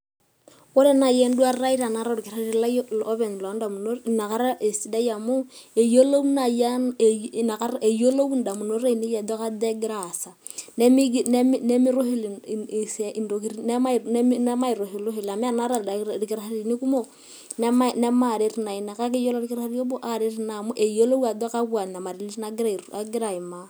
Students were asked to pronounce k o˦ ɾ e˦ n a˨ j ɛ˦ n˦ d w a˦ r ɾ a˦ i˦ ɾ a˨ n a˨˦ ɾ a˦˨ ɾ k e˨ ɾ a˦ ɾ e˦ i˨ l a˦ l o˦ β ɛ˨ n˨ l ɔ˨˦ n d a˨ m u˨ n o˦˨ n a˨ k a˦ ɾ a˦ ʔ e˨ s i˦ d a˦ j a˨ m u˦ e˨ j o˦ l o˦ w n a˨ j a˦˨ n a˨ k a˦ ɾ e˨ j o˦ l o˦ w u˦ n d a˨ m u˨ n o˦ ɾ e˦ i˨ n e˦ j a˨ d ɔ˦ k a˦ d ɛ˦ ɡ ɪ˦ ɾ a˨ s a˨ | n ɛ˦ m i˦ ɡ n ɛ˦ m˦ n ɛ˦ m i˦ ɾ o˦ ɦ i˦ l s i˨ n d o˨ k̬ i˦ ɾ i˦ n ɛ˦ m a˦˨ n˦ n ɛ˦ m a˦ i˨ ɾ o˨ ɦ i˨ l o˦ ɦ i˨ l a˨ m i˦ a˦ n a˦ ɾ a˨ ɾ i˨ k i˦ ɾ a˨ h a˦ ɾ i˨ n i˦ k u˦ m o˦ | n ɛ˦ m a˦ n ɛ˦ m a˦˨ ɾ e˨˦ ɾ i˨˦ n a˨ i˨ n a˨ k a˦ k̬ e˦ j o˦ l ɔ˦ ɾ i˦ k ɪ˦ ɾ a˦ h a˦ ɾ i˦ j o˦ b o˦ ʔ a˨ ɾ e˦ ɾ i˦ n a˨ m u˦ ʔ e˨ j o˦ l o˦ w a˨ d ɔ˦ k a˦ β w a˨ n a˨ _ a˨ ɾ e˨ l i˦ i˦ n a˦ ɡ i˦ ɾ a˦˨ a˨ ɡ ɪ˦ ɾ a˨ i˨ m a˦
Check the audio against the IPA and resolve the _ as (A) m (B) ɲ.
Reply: A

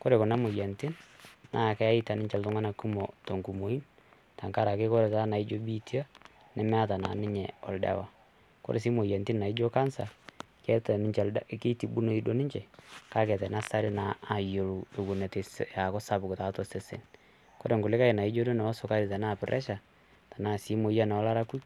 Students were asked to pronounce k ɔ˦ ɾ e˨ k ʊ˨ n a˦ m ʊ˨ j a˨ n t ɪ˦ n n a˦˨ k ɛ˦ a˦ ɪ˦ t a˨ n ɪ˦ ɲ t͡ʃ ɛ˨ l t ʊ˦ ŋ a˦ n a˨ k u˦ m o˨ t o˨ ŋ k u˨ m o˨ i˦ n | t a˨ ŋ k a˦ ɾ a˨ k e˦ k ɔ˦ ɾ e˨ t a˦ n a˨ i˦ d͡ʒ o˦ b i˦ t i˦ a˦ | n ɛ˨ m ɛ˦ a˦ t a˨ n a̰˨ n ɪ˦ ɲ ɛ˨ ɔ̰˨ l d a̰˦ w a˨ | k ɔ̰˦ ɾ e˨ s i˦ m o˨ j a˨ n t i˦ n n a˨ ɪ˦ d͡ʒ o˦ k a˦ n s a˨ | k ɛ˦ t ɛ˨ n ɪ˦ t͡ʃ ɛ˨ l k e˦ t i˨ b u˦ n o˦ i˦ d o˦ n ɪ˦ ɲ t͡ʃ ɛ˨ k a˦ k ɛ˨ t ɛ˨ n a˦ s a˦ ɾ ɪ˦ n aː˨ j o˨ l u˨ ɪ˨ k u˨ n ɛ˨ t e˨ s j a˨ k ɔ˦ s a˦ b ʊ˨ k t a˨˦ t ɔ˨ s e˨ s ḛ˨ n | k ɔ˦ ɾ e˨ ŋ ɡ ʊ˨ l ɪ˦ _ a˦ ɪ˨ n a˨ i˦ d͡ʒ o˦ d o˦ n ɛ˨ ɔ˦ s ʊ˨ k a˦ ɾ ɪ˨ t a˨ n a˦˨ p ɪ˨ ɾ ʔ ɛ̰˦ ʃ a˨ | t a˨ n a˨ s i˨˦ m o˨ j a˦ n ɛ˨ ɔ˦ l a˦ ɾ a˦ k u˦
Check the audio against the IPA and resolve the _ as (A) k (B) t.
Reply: A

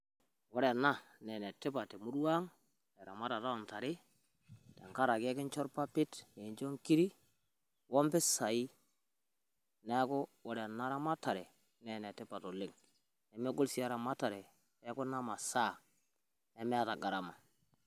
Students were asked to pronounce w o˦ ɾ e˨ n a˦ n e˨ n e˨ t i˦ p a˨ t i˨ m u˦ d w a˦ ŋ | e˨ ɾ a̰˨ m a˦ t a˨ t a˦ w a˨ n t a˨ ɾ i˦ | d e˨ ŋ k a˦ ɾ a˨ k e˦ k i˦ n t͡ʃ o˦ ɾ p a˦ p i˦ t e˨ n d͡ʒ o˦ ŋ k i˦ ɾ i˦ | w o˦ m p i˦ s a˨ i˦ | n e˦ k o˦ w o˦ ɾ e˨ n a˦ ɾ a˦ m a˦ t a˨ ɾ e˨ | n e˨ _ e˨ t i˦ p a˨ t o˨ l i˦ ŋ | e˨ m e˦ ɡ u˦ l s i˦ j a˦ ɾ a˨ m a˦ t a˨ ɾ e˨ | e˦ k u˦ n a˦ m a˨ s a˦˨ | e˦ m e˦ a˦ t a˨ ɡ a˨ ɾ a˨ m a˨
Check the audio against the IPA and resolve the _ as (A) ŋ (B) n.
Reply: B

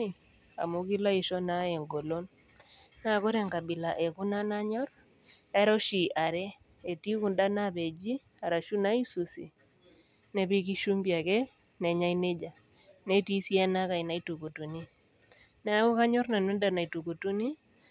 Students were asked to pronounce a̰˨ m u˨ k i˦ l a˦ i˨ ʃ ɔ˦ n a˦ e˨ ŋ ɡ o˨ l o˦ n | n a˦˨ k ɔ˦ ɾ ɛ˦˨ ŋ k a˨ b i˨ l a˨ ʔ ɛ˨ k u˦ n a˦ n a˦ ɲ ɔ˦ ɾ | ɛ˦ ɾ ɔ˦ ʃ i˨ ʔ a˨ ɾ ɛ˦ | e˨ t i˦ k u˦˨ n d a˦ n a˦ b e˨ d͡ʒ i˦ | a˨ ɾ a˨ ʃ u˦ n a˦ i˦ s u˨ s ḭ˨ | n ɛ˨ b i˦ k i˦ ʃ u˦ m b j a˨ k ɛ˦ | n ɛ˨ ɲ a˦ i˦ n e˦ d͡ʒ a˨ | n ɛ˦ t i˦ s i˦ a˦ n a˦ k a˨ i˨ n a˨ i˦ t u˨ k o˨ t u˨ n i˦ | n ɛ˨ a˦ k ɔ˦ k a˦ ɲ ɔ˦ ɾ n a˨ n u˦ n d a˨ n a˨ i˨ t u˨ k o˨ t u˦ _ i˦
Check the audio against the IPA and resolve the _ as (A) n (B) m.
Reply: A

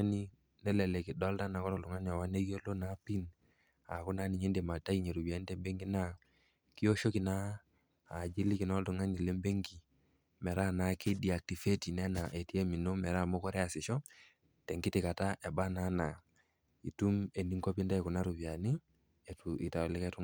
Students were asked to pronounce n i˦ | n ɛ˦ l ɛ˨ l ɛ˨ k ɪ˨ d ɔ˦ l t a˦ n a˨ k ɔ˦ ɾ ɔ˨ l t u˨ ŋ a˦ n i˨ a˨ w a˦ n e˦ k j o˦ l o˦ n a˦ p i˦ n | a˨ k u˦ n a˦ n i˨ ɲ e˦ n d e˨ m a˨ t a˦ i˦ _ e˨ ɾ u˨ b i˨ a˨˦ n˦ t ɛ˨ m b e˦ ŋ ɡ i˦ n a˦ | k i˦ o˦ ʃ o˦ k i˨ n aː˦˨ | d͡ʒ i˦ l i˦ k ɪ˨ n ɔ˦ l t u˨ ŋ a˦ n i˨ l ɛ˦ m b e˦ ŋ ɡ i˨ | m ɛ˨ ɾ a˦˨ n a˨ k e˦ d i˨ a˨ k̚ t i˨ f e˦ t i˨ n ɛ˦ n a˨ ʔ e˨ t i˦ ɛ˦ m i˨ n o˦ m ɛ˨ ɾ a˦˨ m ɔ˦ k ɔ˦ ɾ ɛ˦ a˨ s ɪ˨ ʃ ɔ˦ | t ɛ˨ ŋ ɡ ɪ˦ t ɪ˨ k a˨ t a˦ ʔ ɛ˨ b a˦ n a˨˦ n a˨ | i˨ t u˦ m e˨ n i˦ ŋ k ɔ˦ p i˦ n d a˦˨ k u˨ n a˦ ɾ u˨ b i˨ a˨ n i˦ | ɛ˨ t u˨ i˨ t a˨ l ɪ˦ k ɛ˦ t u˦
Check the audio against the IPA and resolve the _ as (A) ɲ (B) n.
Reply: A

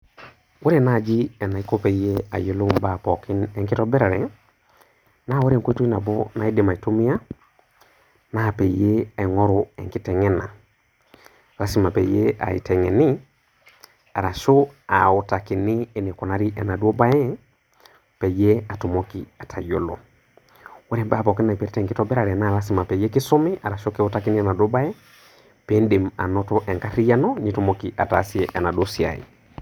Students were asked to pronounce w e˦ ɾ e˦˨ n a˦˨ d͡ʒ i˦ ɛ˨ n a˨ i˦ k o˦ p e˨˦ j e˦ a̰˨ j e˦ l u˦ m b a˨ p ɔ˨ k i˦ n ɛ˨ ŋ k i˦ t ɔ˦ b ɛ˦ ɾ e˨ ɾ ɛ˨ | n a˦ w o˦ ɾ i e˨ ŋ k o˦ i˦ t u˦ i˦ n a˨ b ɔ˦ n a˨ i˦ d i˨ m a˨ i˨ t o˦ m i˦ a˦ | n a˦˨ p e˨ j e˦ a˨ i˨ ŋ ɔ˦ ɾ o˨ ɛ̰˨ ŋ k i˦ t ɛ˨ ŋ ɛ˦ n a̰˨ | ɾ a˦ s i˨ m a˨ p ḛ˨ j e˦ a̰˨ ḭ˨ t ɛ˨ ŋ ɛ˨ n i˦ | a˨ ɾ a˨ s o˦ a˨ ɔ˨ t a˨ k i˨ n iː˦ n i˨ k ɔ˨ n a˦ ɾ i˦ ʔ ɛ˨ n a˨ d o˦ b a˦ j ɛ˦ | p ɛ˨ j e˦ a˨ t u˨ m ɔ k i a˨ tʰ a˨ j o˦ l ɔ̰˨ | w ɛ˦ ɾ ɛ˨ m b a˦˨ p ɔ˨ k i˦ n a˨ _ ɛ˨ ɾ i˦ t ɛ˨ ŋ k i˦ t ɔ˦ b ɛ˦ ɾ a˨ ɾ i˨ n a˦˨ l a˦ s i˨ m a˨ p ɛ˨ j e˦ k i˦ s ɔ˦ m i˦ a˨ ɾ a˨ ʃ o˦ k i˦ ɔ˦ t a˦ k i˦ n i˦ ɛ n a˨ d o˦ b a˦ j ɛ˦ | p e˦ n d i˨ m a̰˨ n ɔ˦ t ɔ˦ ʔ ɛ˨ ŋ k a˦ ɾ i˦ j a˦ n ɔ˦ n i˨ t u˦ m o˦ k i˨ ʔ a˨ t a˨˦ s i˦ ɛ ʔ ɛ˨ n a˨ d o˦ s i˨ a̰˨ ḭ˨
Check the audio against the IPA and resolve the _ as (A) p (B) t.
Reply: A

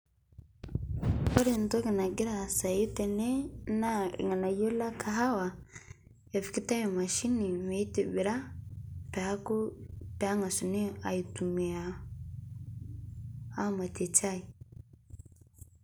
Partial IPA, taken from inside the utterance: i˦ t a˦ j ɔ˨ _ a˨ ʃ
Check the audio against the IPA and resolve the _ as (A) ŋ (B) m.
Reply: B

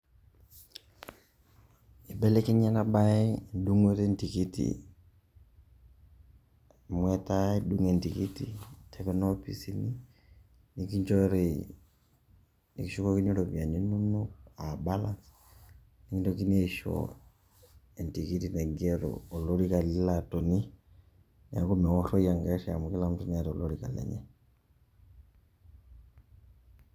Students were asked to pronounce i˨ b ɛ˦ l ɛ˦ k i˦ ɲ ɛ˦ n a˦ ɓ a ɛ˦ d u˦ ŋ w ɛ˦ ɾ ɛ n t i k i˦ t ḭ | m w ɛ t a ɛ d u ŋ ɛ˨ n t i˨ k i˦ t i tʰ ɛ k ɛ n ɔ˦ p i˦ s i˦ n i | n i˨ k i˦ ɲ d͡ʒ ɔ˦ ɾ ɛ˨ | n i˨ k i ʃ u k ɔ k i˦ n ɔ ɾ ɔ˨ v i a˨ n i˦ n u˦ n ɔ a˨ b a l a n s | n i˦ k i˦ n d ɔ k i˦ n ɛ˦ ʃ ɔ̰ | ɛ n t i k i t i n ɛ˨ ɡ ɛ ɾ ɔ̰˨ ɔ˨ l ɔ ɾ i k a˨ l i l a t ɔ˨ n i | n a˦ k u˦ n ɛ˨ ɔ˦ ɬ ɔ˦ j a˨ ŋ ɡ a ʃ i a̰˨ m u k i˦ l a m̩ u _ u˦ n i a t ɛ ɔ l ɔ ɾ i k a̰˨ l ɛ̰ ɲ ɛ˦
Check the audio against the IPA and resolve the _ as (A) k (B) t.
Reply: B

